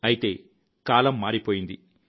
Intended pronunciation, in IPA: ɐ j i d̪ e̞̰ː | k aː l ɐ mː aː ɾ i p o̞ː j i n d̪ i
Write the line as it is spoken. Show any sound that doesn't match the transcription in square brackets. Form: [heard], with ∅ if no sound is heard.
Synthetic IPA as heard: ɐ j i [t̪] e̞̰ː | k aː l ɐ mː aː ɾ i p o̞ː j i n d̪ i